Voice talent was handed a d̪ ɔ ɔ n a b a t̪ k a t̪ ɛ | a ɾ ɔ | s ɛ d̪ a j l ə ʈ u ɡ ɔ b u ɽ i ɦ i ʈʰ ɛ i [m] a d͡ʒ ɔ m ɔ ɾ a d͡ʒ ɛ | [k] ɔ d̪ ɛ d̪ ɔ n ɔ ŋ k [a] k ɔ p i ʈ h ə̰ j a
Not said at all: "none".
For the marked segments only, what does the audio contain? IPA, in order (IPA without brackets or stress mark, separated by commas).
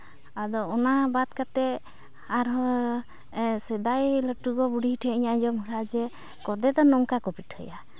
ɲ, k, a